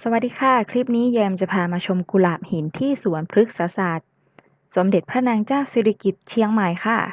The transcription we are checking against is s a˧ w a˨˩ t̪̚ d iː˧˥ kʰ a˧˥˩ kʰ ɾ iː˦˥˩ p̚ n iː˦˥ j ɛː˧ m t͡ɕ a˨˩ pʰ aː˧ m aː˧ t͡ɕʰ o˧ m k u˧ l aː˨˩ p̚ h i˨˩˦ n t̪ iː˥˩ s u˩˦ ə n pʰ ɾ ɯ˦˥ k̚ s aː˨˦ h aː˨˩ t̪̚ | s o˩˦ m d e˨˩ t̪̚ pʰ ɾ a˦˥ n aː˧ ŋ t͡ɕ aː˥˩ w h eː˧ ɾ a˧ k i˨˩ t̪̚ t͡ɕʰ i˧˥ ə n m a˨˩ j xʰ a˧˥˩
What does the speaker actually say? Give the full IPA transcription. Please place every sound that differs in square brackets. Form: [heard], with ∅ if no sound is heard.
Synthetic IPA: s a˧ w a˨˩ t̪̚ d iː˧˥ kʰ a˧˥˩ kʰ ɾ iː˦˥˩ p̚ n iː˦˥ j ɛː˧ m t͡ɕ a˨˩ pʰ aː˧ m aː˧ t͡ɕʰ o˧ m k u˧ l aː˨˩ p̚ h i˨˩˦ n [t̪ʰ] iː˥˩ s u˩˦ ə n pʰ ɾ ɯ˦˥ k̚ s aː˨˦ [s] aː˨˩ t̪̚ | s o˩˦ m d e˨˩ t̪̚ pʰ ɾ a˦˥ n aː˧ ŋ t͡ɕ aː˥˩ w [s] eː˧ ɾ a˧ k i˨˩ t̪̚ t͡ɕʰ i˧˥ ə [ŋ] m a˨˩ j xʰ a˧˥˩